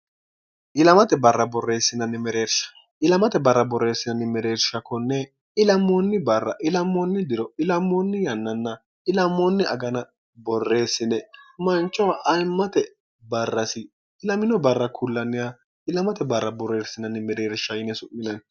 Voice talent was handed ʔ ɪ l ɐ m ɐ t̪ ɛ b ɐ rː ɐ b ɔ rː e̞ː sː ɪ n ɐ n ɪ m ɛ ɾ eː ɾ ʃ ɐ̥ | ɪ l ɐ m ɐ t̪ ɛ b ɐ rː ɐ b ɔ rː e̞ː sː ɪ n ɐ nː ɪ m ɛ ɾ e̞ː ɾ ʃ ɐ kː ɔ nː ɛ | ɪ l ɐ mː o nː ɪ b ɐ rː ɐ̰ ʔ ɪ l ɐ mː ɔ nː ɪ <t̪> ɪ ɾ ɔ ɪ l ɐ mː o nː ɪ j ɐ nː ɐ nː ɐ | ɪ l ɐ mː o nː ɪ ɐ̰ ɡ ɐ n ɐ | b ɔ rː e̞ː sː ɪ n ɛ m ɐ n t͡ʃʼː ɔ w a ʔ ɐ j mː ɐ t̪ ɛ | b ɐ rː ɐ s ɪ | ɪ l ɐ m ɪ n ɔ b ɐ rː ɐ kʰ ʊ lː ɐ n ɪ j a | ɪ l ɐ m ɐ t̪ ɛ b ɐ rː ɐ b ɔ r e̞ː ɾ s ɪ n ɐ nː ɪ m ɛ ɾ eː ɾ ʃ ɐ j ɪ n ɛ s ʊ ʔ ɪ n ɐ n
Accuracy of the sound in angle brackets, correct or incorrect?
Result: incorrect: d̪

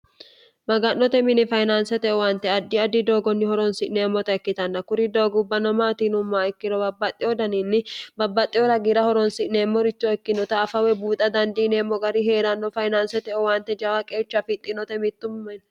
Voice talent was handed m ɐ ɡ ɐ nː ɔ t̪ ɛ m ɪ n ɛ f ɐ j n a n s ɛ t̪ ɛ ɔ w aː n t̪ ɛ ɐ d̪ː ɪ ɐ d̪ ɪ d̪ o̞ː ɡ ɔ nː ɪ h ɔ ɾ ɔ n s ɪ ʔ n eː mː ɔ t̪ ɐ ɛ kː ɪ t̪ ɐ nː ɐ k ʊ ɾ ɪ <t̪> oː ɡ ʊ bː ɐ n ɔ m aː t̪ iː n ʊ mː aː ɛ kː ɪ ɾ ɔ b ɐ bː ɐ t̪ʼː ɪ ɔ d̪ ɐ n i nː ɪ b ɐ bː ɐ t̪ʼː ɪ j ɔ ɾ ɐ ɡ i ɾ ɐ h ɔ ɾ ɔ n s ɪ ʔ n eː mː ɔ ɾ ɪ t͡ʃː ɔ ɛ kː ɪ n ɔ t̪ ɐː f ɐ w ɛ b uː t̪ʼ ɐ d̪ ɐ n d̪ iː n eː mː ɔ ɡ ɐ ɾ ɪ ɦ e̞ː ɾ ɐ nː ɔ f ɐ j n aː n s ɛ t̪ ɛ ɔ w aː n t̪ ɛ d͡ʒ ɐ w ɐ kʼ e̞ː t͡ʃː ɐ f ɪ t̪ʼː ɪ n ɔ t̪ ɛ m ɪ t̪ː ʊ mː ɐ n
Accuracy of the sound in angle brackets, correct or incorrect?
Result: incorrect: d̪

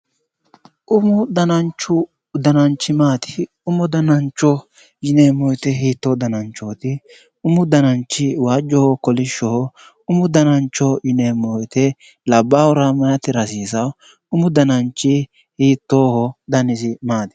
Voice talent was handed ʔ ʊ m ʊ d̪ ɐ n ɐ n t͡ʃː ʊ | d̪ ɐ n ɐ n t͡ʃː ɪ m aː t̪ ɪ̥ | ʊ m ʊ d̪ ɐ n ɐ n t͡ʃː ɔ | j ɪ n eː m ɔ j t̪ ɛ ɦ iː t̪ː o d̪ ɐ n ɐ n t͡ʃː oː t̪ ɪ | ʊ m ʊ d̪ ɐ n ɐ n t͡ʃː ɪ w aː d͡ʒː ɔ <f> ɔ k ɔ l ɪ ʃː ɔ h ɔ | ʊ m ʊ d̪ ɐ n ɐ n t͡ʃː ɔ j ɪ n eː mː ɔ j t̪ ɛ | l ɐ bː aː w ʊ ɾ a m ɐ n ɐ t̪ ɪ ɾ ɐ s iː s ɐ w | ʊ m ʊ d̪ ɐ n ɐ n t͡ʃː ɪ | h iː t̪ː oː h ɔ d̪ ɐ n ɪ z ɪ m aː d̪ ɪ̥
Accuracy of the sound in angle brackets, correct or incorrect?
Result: incorrect: h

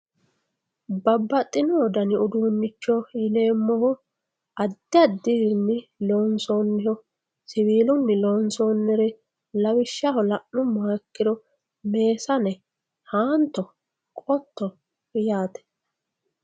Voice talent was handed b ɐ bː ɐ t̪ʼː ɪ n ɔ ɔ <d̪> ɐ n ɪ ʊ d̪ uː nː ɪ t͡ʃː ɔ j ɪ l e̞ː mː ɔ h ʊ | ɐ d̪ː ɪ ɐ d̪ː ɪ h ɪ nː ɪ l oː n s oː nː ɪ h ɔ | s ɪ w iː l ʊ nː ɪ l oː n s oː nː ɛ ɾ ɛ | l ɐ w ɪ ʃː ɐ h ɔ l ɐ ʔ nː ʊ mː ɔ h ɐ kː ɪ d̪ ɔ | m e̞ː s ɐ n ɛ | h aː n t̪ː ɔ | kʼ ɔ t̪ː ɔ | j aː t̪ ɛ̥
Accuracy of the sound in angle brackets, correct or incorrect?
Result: correct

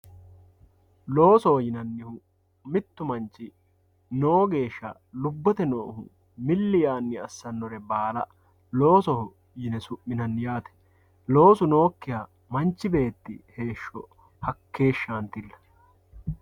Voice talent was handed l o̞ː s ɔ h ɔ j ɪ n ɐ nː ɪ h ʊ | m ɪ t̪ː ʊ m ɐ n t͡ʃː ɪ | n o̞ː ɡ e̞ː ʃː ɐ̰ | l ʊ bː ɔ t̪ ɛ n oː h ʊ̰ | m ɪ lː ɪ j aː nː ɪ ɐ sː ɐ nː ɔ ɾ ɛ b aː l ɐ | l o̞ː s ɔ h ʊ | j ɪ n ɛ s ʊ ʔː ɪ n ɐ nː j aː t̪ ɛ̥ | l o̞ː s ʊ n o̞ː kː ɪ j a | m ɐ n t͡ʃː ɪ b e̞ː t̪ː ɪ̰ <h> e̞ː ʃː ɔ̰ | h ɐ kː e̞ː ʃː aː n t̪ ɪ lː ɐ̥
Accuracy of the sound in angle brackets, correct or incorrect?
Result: correct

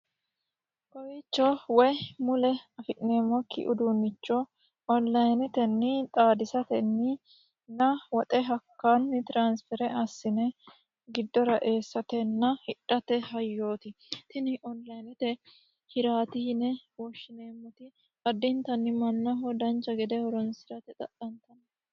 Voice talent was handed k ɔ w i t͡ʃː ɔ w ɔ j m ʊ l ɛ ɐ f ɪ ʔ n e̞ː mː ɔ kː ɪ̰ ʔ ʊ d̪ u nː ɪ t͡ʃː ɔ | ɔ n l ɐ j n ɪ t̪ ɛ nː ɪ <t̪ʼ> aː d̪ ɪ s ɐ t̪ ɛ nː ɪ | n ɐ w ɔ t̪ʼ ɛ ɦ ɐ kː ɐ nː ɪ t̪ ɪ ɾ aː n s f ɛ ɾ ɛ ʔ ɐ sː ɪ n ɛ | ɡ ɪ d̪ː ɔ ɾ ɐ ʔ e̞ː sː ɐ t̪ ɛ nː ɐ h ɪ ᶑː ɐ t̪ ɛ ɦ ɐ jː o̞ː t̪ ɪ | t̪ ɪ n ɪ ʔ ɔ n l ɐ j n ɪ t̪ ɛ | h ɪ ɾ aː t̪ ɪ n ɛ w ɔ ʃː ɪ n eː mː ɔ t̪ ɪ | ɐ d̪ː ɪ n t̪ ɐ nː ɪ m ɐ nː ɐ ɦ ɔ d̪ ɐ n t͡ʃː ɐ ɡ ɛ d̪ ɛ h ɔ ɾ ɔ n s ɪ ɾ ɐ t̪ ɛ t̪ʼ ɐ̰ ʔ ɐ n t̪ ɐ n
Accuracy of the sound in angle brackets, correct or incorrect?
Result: correct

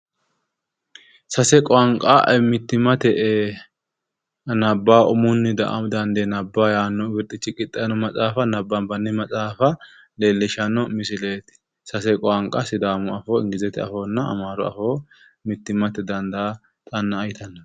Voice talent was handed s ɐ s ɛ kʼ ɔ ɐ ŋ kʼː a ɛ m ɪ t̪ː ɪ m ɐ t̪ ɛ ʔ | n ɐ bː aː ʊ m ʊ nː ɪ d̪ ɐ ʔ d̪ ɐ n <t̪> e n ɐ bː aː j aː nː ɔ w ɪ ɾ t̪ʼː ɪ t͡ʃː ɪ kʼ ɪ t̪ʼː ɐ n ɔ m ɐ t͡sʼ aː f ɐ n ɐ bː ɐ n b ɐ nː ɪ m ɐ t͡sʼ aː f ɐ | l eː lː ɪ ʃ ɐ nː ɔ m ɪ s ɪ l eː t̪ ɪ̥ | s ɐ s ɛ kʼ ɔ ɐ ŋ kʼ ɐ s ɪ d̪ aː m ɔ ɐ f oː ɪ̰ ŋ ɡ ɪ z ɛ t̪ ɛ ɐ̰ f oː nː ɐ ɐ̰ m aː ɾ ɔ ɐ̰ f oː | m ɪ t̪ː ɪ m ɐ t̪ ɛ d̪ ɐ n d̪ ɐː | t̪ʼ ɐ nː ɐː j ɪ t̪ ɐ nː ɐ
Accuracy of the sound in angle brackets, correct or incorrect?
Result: incorrect: d̪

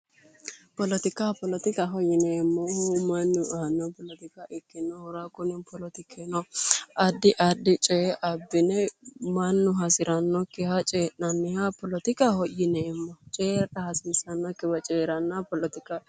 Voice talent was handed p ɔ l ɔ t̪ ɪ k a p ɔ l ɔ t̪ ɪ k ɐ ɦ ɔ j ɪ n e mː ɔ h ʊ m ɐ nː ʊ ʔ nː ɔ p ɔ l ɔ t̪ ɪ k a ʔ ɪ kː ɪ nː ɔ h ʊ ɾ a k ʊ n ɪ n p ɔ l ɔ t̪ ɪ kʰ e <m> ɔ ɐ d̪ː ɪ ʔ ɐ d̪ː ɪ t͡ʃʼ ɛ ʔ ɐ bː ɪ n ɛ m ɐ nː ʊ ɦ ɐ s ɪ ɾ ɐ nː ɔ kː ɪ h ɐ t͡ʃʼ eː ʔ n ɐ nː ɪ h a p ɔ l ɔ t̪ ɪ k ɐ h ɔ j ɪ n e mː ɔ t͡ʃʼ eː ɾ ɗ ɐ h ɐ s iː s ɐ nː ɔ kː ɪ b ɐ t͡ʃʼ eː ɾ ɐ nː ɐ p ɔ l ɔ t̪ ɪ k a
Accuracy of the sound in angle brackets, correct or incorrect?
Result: incorrect: n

